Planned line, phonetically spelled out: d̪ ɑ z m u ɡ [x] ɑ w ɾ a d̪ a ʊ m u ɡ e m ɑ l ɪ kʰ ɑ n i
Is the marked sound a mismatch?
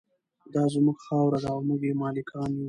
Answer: no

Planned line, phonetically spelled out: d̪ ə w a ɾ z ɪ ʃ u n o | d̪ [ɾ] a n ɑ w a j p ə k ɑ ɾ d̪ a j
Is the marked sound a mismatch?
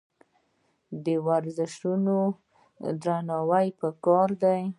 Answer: no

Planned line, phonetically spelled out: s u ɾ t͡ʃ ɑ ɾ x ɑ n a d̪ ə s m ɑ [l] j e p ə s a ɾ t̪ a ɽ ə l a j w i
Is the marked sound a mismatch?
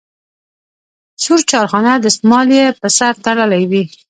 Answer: no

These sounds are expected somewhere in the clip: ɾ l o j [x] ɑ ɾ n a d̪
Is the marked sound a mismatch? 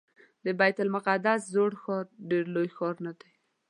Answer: no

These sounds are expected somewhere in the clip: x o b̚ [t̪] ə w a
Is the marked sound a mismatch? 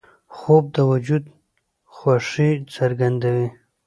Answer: yes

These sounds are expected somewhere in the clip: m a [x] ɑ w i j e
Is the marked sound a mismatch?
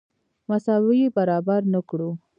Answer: yes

